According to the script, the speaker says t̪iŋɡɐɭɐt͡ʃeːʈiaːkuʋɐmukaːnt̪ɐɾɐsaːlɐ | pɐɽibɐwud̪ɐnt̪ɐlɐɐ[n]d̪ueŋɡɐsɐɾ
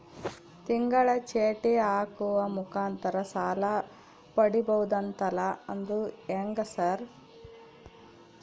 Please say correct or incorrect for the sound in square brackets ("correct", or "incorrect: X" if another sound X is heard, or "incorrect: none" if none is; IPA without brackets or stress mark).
correct